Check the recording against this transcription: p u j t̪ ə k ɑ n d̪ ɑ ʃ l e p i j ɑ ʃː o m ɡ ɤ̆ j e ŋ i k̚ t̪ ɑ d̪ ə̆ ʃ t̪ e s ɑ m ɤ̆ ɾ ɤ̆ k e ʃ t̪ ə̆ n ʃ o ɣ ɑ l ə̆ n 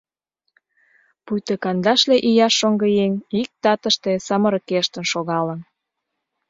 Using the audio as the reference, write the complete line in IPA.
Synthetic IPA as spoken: p u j t̪ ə k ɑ n d̪ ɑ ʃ l e ʔ i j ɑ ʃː o ŋ ɡ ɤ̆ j e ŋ i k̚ t̪ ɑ t̪ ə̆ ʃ t̪ e s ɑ m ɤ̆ ɾ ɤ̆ k e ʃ t̪ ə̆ n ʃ o ɣ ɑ l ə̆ n